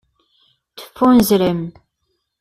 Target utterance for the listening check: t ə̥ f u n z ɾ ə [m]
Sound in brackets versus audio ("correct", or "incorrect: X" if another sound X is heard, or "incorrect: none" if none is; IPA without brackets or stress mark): correct